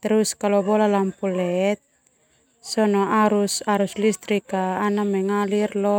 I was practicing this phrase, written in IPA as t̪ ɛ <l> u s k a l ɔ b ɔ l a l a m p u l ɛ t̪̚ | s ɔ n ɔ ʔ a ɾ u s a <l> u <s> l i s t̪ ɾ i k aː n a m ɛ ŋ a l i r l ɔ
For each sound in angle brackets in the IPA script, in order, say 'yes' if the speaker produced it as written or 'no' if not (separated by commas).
no, no, yes